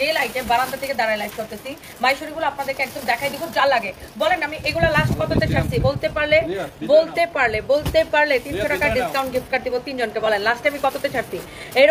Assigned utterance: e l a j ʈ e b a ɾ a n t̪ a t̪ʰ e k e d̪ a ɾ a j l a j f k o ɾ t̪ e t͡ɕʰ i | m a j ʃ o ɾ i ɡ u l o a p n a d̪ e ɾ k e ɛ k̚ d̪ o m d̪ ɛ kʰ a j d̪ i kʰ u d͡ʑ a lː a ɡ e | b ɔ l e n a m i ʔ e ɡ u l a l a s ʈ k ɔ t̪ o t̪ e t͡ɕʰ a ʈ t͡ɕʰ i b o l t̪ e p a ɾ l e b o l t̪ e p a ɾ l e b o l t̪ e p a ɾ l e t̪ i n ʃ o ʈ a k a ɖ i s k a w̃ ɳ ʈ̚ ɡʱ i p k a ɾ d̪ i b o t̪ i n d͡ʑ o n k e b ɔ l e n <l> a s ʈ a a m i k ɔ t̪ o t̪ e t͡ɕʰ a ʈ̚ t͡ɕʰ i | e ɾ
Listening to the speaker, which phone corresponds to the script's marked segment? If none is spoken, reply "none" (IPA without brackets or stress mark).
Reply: l